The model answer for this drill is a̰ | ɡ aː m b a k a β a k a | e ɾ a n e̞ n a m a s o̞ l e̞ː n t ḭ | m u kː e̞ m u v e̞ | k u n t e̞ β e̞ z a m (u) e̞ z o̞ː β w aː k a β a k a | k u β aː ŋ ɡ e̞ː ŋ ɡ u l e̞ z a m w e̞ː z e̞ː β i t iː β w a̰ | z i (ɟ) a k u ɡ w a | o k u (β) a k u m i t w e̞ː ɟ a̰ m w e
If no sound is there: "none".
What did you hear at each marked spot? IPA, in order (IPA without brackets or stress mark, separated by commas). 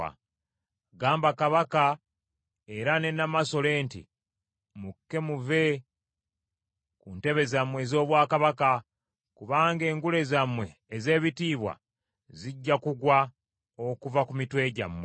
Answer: w, ɟː, v